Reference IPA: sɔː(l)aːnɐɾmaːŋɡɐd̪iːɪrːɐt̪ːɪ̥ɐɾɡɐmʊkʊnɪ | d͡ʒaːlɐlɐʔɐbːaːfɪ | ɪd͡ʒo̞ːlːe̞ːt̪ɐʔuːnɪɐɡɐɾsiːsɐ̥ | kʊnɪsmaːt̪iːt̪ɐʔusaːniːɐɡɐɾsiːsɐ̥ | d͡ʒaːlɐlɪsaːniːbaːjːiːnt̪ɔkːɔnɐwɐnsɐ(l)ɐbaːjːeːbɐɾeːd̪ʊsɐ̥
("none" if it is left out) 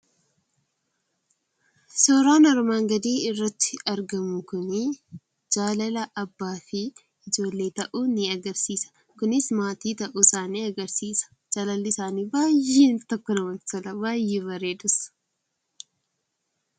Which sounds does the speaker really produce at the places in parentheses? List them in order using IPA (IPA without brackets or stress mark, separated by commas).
ɾ, l